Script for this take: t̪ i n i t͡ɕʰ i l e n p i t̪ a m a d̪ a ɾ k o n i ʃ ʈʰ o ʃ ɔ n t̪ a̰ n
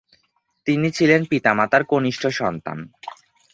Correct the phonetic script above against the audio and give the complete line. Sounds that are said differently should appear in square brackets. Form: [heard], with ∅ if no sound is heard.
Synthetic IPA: t̪ i n i t͡ɕʰ i l e n p i t̪ a m a [t̪] a ɾ k o n i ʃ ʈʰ o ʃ ɔ n t̪ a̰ n